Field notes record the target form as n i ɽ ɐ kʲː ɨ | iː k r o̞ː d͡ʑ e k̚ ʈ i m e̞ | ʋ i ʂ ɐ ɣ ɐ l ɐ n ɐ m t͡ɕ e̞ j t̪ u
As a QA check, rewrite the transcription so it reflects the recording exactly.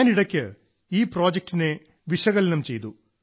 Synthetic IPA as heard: n i ɽ ɐ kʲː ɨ | iː p r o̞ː d͡ʑ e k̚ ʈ i n e̞ | ʋ i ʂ ɐ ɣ ɐ l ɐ n ɐ m t͡ɕ e̞ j t̪ u

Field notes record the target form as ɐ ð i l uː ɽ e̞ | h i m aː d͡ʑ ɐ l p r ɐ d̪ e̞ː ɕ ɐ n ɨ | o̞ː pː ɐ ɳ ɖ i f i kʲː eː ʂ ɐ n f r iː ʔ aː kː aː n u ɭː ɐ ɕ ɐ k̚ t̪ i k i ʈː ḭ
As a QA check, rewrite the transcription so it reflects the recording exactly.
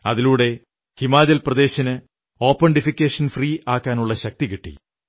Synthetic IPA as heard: ɐ ð i l uː ɽ e̞ | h i m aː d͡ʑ ɐ l p r ɐ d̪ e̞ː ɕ ɐ n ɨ | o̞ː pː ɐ ɳ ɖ i f i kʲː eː ʂ ɐ n f r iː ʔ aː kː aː n u ɭː ɐ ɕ ɐ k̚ t̪ i k i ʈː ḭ

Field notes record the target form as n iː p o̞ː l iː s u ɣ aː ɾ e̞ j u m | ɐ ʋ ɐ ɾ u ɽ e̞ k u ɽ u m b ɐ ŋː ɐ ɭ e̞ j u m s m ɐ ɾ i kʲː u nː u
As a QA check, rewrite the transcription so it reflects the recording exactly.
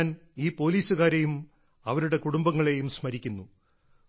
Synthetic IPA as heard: n iː p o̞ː l iː s u ɣ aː ɾ e̞ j u m | ɐ ʋ ɐ ɾ u ɽ e̞ k u ɽ u m b ɐ ŋː ɐ ɭ e̞ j u m s m ɐ ɾ i kʲː u nː u

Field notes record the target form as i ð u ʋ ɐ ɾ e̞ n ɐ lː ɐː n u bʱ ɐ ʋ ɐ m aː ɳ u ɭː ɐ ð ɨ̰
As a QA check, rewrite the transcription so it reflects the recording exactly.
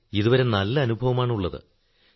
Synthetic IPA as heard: i ð u ʋ ɐ ɾ e̞ n ɐ lː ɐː n u bʱ ɐ ʋ ɐ m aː ɳ u ɭː ɐ ð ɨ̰

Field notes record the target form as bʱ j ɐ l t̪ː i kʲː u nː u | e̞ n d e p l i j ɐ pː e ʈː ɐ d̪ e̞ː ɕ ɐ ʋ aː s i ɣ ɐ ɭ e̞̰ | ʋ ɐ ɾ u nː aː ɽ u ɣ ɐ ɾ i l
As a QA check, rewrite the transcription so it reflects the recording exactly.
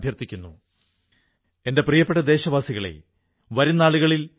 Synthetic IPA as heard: bʱ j ɐ r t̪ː i kʲː u nː u | e̞ n d e p r i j ɐ pː e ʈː ɐ d̪ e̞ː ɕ ɐ ʋ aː s i ɣ ɐ ɭ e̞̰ | ʋ ɐ ɾ u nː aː ɭ u ɣ ɐ ɭ i l

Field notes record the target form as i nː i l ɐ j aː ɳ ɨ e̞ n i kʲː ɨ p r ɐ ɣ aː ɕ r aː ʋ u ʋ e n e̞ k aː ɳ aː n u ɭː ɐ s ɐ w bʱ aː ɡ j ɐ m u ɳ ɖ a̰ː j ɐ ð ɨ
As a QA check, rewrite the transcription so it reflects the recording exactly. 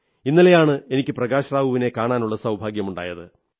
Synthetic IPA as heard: i nː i l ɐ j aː ɳ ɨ e̞ n i kʲː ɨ p r ɐ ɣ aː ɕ r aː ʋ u ʋ i n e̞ k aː ɳ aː n u ɭː ɐ s ɐ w bʱ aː ɡ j ɐ m u ɳ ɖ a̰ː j ɐ ð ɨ

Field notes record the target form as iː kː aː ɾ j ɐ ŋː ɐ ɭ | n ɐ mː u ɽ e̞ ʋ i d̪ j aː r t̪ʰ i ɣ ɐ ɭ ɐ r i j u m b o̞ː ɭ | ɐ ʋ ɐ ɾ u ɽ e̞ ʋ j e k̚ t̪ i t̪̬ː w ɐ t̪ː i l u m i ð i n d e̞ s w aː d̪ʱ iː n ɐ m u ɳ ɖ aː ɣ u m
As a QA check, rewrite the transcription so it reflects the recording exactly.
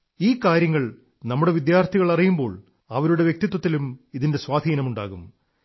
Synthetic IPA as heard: iː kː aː ɾ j ɐ ŋː ɐ ɭ | n ɐ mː u ɽ e̞ ʋ i d̪ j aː r t̪ʰ i ɣ ɐ ɭ ɐ r i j u m b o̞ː ɭ | ɐ ʋ ɐ ɾ u ɽ e̞ ʋ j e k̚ t̪ i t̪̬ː w ɐ t̪ː i l u m i ð i n d e̞ s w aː d̪ʱ iː n ɐ m u ɳ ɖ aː ɣ u m

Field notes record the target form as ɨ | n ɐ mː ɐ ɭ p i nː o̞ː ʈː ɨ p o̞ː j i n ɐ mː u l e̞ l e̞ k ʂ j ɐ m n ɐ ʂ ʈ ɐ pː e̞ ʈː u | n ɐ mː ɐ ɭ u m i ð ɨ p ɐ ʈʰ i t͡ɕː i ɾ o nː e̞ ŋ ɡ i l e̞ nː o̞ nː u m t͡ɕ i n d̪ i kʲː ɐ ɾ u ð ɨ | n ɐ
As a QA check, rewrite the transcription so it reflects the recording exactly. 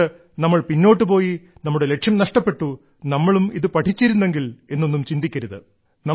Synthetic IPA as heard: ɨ | n ɐ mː ɐ ɭ p i nː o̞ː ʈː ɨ p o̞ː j i n ɐ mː u ɽ e̞ l e̞ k ʂ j ɐ m n ɐ ʂ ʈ ɐ pː e̞ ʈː u | n ɐ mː ɐ ɭ u m i ð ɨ p ɐ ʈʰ i t͡ɕː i ɾ u nː e̞ ŋ ɡ i l e̞ nː o̞ nː u m t͡ɕ i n d̪ i kʲː ɐ ɾ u ð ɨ | n ɐ

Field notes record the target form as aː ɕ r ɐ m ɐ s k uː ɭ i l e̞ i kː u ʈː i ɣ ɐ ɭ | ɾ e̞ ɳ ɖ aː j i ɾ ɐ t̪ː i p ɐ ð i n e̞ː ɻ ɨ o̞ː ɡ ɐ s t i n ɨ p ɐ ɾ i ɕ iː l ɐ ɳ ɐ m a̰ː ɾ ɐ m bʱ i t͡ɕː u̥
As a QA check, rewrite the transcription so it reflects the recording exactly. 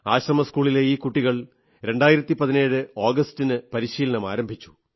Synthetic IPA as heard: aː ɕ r ɐ m ɐ s k uː ɭ i l e̞ iː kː u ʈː i ɣ ɐ ɭ | ɾ e̞ ɳ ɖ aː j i ɾ ɐ t̪ː i p ɐ ð i n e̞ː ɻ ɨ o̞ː ɡ ɐ s t i n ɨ p ɐ ɾ i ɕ iː l ɐ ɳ ɐ m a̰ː ɾ ɐ m bʱ i t͡ɕː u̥

